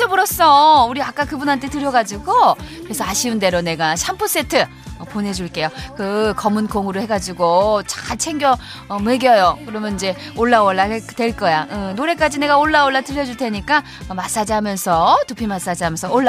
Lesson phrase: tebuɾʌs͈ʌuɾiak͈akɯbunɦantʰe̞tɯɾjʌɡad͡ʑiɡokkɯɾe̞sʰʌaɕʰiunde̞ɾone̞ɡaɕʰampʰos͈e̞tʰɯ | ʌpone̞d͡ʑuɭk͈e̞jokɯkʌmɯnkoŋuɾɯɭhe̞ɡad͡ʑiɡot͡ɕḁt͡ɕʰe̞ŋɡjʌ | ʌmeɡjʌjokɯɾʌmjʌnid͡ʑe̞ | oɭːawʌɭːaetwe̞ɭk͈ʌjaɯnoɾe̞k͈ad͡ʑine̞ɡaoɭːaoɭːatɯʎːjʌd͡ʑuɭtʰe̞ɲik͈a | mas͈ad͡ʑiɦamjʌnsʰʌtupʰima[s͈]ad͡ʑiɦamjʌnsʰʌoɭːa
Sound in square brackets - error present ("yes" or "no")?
no